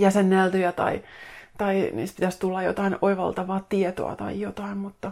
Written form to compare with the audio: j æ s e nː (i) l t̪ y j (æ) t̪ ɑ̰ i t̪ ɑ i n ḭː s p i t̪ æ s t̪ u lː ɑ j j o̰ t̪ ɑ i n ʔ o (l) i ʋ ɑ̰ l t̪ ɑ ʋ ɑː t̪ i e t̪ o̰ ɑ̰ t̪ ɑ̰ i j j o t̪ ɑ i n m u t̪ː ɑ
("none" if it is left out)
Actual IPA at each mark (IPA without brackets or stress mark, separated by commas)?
æ, æ, none